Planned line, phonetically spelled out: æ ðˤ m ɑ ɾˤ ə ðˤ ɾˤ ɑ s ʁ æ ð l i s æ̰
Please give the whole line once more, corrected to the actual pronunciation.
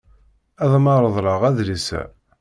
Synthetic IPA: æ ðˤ m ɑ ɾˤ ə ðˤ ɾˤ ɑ ʁ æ ð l i s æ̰